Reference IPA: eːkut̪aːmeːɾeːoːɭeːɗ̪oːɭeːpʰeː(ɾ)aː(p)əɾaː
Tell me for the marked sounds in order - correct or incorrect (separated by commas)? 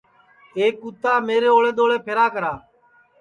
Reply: correct, incorrect